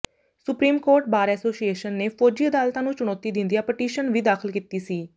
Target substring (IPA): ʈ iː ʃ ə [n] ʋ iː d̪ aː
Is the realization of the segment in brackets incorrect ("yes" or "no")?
no